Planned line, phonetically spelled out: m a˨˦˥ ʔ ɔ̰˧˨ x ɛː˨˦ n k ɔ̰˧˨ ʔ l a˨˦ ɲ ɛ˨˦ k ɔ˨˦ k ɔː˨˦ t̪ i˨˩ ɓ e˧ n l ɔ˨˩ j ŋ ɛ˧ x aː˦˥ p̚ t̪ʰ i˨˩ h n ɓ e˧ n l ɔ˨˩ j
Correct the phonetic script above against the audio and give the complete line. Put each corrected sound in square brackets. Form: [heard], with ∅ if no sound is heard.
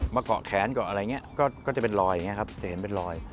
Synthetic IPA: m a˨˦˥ [k] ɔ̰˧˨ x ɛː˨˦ n k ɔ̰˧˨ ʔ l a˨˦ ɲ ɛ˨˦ k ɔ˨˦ k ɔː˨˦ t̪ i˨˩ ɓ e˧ n l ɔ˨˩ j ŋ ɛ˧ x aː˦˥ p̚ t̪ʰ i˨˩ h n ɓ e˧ n l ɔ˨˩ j